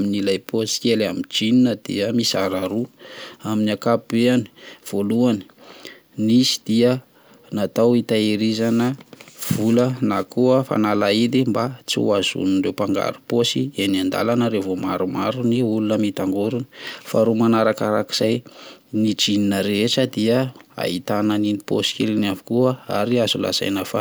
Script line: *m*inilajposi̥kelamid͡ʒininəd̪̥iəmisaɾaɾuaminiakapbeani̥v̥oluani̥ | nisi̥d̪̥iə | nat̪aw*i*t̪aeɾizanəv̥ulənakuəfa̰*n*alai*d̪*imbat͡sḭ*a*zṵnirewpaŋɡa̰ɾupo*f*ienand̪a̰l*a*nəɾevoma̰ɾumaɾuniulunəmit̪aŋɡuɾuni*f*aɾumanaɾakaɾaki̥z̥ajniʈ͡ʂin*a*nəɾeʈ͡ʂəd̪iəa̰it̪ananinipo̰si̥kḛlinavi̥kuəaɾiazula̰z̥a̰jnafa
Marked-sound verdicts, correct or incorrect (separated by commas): correct, correct, correct, correct, correct, incorrect, correct, correct, incorrect